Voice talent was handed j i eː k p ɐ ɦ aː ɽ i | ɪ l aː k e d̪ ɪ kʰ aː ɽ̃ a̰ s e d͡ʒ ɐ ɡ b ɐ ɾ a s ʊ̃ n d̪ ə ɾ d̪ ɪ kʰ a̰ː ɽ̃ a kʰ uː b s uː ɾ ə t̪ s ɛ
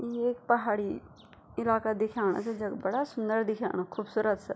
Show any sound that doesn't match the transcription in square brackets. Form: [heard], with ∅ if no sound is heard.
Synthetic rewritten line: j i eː k p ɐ ɦ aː ɽ i | ɪ l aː k [a] d̪ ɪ kʰ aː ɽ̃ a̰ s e d͡ʒ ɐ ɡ b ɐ [ɽ] a s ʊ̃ n d̪ ə ɾ d̪ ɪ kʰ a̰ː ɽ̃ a kʰ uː b s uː ɾ ə t̪ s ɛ